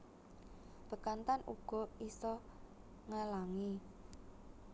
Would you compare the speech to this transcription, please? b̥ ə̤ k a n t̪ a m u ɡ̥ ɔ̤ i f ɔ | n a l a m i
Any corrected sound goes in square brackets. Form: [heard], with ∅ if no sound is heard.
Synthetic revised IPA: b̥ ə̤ k a n t̪ a [n] u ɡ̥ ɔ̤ i [s] ɔ | [ŋ] a l a [ŋ] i